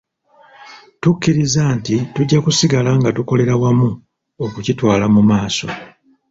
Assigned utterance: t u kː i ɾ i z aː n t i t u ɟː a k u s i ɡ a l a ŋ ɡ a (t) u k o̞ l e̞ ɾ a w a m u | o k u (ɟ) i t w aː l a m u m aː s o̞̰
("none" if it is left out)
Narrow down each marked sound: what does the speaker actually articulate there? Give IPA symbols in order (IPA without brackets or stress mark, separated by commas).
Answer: t, c